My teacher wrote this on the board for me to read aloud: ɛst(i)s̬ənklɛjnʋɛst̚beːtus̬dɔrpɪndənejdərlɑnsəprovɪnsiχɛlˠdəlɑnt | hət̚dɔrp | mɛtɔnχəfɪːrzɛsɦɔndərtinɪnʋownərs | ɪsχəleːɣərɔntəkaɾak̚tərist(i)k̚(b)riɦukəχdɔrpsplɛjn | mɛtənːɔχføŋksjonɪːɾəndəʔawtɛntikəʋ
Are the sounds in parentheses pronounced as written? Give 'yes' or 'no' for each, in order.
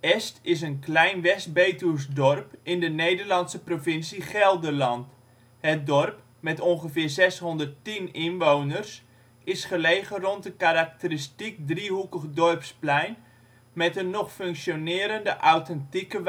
no, yes, no

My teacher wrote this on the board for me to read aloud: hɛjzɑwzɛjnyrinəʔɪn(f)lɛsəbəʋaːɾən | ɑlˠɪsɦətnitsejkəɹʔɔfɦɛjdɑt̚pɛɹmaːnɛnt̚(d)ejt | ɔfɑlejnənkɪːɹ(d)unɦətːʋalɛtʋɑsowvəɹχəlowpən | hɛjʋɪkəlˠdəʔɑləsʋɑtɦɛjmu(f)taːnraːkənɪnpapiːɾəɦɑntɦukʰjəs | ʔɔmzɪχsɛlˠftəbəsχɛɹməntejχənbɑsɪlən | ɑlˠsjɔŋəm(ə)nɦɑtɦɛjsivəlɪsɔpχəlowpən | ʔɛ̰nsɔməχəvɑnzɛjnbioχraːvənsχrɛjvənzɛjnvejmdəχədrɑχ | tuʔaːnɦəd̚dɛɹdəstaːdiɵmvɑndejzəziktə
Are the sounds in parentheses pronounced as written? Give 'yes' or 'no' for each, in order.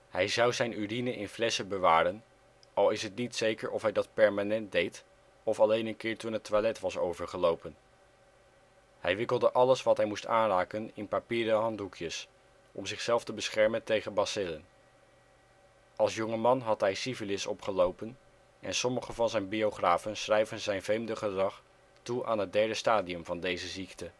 yes, yes, no, no, no

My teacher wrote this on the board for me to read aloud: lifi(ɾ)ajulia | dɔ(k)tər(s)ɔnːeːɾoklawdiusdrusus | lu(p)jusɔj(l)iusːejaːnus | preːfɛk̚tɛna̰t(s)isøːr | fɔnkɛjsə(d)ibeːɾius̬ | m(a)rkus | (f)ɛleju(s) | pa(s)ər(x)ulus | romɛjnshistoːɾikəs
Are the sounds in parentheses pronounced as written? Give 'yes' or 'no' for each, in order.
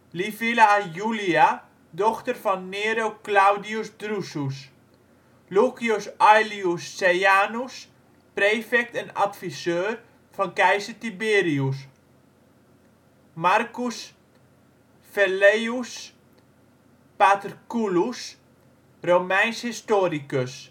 no, no, no, no, yes, no, no, yes, yes, yes, no, no

